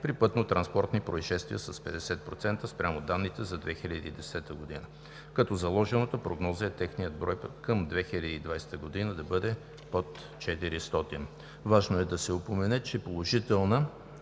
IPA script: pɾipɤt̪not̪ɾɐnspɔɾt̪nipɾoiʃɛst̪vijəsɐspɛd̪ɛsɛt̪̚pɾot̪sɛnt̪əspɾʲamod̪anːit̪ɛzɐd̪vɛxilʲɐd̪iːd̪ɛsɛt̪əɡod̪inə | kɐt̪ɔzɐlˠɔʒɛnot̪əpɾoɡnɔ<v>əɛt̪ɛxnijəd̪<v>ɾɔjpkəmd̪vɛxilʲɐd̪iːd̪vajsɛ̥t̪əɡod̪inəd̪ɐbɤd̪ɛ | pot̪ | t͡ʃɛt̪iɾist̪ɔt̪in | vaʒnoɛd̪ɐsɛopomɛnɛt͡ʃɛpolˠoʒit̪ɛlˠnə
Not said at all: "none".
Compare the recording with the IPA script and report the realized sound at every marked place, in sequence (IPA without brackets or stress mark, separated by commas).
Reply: z, b